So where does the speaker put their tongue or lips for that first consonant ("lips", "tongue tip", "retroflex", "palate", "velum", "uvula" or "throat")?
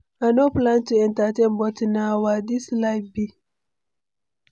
tongue tip